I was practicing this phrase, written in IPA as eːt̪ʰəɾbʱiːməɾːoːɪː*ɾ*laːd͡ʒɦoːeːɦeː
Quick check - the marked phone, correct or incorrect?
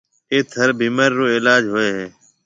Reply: incorrect